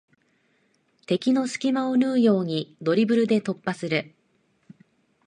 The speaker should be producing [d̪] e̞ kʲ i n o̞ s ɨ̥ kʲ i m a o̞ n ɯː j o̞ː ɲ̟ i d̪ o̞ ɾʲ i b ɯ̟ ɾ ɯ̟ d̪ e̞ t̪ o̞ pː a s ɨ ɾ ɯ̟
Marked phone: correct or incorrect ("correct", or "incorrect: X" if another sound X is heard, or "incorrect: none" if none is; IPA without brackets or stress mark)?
incorrect: t̪